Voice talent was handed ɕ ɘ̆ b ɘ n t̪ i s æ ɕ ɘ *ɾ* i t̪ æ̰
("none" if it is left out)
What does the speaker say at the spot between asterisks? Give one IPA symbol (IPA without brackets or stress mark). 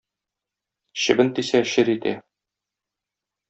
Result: ɾ